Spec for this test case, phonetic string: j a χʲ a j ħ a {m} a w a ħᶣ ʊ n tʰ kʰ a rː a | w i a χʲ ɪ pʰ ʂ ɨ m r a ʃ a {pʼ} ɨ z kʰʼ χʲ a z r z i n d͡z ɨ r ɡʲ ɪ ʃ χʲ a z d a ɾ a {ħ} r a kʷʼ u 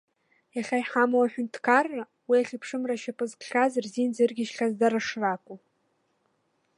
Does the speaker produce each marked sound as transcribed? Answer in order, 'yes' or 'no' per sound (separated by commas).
yes, yes, no